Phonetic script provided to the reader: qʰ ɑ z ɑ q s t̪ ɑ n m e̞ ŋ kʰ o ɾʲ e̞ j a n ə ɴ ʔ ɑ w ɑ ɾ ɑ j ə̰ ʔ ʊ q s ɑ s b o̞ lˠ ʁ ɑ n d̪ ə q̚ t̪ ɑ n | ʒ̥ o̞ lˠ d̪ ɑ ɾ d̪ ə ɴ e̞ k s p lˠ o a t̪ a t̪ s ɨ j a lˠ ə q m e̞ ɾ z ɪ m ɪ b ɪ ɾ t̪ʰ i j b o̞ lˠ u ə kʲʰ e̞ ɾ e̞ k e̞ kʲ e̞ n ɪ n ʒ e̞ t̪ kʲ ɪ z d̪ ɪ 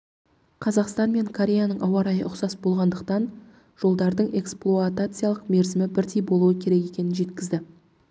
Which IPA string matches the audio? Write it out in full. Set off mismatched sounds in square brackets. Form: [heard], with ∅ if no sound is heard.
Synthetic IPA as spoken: qʰ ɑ z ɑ q s t̪ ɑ n m e̞ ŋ kʰ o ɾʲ e̞ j a n ə ɴ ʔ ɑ w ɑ ɾ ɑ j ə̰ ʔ ʊ q s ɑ s b o̞ lˠ ʁ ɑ n d̪ ə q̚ t̪ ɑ n | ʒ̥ o̞ lˠ d̪ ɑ ɾ d̪ ə ɴ e̞ k s p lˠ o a t̪ a t̪ s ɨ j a lˠ ə q m e̞ ɾ z ɪ m ɪ b ɪ ɾ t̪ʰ i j b o̞ lˠ u ə kʲʰ e̞ ɾ e̞ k e̞ kʲ e̞ n ɪ n ʒ e̞ t̪ kʲ ɪ z d̪ ɪ